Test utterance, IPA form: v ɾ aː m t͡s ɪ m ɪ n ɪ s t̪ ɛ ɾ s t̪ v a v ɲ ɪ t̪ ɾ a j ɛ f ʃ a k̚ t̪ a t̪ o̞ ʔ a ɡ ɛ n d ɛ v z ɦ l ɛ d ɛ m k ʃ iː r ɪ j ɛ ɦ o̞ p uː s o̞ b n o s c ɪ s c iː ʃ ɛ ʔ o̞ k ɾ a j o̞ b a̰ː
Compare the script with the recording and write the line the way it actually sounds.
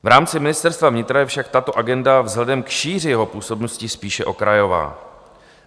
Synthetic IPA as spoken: v ɾ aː m t͡s ɪ m ɪ n ɪ s t̪ ɛ ɾ s t̪ v a v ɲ ɪ t̪ ɾ a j ɛ f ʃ a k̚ t̪ a t̪ o̞ ʔ a ɡ ɛ n d a v z ɦ l ɛ d ɛ m k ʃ iː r ɪ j ɛ ɦ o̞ p uː s o̞ b n o s c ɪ s p iː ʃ ɛ ʔ o̞ k ɾ a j o̞ v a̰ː